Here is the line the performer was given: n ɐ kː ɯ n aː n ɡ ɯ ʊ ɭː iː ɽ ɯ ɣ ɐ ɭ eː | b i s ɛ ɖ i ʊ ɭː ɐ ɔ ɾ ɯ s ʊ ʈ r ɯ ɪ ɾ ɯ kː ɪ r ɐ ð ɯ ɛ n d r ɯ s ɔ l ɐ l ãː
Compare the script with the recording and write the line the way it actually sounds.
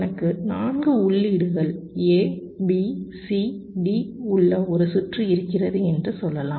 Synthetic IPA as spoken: n ɐ kː ɯ n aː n ɡ ɯ ʊ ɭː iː ɽ ɯ ɣ ɐ ɭ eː | b i s i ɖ i ʊ ɭː ɐ ɔ ɾ ɯ s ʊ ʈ r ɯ ɪ ɾ ɯ kː ɪ r ɐ ð ɯ ɛ n d r ɯ s ɔ lː ɐ l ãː

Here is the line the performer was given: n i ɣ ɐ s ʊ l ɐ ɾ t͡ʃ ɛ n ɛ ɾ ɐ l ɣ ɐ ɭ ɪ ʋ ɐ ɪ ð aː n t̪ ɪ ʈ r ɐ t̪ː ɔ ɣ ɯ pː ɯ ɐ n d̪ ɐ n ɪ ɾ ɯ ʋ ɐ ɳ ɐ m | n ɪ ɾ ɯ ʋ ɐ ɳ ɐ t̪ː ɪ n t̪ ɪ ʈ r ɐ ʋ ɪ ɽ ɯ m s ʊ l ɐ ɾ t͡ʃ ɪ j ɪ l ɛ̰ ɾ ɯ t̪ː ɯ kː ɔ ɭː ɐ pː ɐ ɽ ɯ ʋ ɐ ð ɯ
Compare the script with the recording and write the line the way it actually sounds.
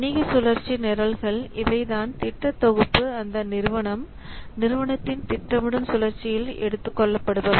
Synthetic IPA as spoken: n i ɣ ɐ s ʊ l ɐ ɾ t͡ʃ i n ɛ ɾ ɐ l ɣ ɐ ɭ ɪ ʋ ɐ ɪ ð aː n t̪ ɪ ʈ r ɐ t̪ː ɔ ɣ ɯ pː ɯ ɐ n d̪ ɐ n ɪ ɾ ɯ ʋ ɐ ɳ ɐ m | n ɪ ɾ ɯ ʋ ɐ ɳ ɐ t̪ː ɪ n t̪ ɪ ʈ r ɐ ʋ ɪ ɽ ɯ m s ʊ l ɐ ɾ t͡ʃ ɪ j ɪ l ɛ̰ ɽ ɯ t̪ː ɯ kː ɔ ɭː ɐ pː ɐ ɽ ɯ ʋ ɐ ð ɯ

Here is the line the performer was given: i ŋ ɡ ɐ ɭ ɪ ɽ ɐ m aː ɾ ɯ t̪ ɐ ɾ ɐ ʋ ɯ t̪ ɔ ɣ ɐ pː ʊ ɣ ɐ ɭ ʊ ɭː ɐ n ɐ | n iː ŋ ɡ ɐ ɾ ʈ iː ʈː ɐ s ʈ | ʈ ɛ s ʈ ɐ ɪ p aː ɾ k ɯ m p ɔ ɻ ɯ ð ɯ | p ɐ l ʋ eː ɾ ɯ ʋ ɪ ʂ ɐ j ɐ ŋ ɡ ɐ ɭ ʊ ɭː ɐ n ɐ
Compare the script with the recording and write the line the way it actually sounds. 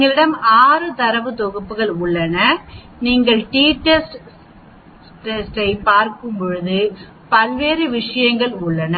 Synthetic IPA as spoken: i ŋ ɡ ɐ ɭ ɪ ɽ ɐ m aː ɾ ɯ t̪ ɐ ɾ ɐ ʋ ɯ t̪ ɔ ɣ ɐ pː ɯ ɣ ɐ ɭ ʊ ɭː ɐ n ɐ | n iː ŋ ɡ ɐ ɭ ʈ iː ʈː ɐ s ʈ | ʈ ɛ s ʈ ɐ ɪ p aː ɾ k ɯ m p ɔ ɻ ɯ ð ɯ | p ɐ l ʋ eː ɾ ɯ ʋ ɪ ʂ ɐ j ɐ ŋ ɡ ɐ ɭ ʊ ɭː ɐ n ɐ

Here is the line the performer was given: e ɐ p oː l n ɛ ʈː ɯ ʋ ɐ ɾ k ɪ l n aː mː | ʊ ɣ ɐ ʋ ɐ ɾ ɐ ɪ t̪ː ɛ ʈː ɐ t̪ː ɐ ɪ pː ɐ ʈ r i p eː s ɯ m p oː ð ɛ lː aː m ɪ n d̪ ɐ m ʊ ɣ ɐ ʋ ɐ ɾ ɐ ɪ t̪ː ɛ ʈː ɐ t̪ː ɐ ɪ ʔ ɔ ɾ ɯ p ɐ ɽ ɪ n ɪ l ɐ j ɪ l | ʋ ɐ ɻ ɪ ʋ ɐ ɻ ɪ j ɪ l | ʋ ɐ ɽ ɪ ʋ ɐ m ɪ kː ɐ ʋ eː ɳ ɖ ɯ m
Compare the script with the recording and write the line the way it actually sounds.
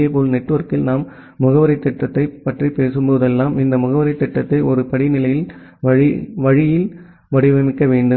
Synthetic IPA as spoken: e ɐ p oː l n ɛ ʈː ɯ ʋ ɐ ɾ k ɪ l n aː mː | ʊ ɣ ɐ ʋ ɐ ɾ ɐ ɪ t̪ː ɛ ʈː ɐ t̪ː ɐ ɪ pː ɐ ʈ r i p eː s ɯ m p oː ð ɛ lː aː m ɪ n d̪ ɐ m ʊ ɣ ɐ ʋ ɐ ɾ ɐ ɪ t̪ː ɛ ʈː ɐ t̪ː ɐ ɪ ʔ ɔ ɾ ɯ p ɐ ɽ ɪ n ɪ l ɐ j ɪ l | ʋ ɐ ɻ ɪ ʋ ɐ ɻ ɪ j ɪ l | ʋ ɐ ɽ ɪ ʋ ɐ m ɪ kː ɐ ʋ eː ɳ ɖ ɯ m

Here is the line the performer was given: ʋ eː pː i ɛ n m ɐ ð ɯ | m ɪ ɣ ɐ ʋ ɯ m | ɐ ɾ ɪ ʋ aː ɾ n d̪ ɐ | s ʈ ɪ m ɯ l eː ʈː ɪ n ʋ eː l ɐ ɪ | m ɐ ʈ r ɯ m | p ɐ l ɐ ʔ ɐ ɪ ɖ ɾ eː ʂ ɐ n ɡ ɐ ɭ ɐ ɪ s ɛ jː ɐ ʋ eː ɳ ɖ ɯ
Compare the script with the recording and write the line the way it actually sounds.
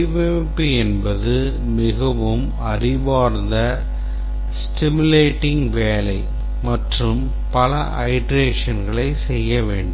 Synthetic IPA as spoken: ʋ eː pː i ɛ n b ɐ ð ɯ | m ɪ ɣ ɐ ʋ ɯ m | ɐ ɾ ɪ ʋ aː ɾ n d̪ ɐ | s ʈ ɪ m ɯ l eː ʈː ɪ ŋ ʋ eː l ɐ ɪ | m ɐ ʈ r ɯ m | p ɐ l ɐ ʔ ɐ ɪ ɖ ɾ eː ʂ ɐ n ɡ ɐ ɭ ɐ ɪ s ɛ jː ɐ ʋ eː ɳ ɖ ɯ

